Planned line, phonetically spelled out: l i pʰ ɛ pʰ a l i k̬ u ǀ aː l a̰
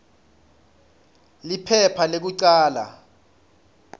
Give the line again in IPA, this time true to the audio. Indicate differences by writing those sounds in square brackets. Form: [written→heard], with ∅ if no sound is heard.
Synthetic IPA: l i pʰ ɛ pʰ a l [i→e] k̬ u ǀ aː l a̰